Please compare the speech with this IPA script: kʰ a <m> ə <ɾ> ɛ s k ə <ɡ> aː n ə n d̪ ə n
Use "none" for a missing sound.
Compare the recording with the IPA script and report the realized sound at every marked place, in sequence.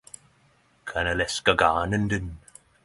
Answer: n, l, ɡ

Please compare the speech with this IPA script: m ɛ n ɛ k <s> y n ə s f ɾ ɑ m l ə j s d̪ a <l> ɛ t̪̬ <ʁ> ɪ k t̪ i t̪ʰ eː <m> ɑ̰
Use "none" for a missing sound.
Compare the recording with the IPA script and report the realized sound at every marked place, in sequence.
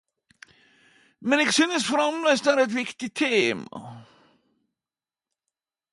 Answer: s, ɾ, v, m

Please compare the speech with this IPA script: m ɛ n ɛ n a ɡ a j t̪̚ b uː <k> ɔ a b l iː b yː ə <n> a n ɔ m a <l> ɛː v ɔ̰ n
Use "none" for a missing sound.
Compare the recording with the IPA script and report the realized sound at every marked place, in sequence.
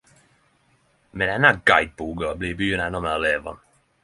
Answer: ɡ, n, l

